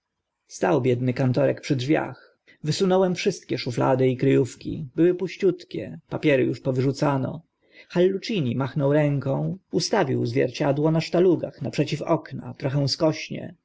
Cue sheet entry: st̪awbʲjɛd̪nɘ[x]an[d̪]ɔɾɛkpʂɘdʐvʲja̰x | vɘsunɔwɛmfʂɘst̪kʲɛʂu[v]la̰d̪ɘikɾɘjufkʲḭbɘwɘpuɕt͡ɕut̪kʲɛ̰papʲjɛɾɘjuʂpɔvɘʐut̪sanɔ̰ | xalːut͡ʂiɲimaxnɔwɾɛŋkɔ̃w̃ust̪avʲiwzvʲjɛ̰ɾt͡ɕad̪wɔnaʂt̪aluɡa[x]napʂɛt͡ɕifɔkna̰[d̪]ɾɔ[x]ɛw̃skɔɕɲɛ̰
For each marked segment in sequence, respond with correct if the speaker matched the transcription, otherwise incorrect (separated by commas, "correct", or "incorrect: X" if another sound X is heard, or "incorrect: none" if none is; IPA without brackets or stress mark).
incorrect: k, incorrect: t̪, incorrect: f, correct, incorrect: t̪, correct